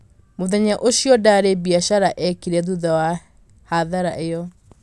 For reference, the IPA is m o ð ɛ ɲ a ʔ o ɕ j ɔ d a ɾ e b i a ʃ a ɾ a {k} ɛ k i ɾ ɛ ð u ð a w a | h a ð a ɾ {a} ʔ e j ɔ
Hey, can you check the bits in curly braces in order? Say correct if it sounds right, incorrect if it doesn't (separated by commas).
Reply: incorrect, correct